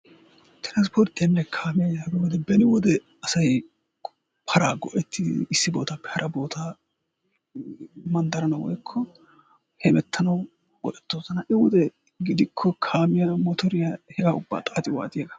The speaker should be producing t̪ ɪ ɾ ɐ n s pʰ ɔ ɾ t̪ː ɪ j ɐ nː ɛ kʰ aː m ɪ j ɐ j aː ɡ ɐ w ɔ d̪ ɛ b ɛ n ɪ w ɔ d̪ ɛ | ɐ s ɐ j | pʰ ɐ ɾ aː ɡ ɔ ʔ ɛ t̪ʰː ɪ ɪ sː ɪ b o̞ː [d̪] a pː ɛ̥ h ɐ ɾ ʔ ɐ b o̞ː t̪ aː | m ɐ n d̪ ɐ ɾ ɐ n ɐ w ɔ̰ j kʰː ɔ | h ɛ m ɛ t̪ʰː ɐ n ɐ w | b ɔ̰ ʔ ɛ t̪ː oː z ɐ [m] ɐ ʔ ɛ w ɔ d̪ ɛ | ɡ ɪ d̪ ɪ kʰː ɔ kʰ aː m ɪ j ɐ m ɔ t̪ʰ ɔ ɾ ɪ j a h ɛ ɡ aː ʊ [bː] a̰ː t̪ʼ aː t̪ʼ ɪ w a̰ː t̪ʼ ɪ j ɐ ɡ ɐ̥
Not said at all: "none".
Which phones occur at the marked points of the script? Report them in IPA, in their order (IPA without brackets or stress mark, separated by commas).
t̪, n, bː